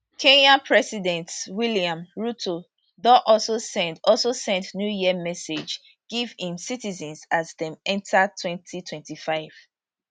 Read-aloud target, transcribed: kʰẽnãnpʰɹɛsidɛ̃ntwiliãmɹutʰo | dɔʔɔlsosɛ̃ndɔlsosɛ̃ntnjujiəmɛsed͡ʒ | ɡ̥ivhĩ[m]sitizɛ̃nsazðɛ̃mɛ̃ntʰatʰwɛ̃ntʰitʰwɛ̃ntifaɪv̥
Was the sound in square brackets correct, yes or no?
yes